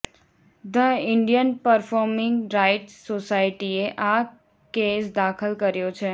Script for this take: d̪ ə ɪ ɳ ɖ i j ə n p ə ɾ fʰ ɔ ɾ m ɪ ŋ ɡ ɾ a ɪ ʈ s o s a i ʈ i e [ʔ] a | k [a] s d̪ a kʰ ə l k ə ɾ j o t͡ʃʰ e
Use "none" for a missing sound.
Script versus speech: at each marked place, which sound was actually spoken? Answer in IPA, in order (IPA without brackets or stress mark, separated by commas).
ʔ, e